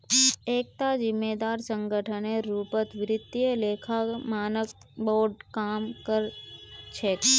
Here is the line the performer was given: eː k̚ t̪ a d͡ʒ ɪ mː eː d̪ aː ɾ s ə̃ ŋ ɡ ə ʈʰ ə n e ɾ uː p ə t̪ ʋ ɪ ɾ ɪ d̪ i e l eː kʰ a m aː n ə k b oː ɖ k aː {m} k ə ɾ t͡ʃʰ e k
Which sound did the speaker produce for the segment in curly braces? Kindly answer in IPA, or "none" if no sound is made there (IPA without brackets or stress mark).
m